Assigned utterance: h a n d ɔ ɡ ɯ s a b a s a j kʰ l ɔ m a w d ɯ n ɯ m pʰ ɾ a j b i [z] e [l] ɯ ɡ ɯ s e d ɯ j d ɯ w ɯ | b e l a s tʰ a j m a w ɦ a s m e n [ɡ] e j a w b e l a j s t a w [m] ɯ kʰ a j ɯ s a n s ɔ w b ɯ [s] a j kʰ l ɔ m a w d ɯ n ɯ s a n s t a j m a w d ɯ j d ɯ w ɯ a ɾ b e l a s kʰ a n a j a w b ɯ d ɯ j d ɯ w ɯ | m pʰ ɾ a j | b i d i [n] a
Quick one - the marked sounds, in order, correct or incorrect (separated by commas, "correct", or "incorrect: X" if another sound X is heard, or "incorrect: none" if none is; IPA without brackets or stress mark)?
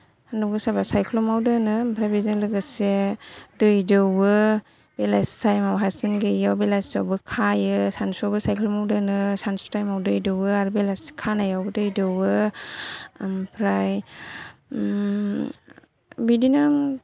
correct, correct, correct, incorrect: b, correct, correct